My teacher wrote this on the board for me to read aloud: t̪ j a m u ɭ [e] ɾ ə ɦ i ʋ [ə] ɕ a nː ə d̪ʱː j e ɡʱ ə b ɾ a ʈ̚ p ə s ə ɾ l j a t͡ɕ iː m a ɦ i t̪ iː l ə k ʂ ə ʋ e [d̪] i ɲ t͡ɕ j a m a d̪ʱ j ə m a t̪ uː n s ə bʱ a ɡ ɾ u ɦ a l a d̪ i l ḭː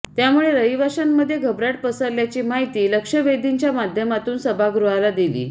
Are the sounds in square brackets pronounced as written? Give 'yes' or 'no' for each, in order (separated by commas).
yes, no, yes